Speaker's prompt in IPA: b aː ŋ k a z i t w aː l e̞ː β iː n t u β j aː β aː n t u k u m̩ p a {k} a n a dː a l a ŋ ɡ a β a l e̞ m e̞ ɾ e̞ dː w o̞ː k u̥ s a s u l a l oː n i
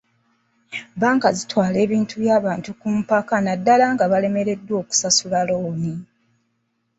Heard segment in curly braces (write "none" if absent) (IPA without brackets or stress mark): k